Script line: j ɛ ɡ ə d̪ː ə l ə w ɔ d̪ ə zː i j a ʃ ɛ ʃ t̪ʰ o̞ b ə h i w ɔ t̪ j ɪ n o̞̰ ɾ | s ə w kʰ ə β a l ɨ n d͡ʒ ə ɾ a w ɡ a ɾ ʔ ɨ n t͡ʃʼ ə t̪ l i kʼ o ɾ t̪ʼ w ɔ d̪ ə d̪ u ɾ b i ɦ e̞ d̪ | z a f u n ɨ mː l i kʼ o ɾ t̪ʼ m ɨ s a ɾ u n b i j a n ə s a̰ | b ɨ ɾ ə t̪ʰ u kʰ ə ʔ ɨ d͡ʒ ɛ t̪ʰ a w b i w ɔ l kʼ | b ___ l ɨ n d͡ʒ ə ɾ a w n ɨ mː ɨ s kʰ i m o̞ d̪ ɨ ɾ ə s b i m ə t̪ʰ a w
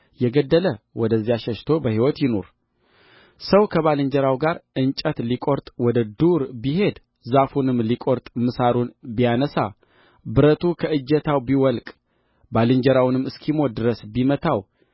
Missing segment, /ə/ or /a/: a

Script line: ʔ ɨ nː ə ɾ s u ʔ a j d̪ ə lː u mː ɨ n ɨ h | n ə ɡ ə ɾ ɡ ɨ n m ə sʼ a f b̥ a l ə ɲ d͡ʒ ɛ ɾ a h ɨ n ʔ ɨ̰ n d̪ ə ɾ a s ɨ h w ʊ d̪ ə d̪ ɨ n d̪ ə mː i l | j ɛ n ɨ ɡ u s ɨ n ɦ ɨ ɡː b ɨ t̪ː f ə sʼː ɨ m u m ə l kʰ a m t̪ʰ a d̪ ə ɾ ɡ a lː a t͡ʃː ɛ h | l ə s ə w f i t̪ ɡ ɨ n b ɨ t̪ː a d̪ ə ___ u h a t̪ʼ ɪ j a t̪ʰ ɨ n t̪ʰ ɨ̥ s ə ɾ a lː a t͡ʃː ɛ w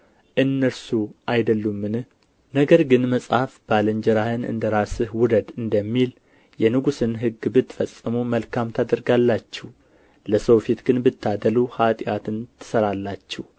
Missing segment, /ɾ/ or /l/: l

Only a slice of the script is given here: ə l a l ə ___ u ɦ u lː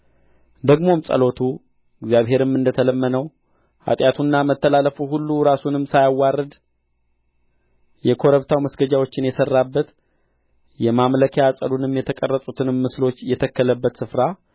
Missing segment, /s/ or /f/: f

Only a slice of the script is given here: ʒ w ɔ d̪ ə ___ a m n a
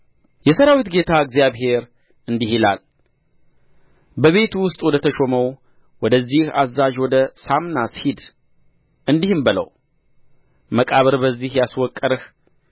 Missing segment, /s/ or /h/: s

